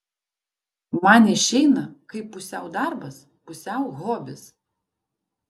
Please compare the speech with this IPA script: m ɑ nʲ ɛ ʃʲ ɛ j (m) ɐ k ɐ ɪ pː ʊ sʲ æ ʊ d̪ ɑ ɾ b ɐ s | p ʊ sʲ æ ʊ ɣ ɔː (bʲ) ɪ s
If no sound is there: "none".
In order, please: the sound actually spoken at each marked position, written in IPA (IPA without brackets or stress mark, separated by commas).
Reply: n, bʲ